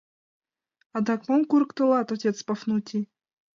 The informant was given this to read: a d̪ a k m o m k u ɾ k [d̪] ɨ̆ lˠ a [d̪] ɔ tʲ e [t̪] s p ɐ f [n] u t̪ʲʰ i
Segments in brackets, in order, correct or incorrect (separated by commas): incorrect, incorrect, correct, correct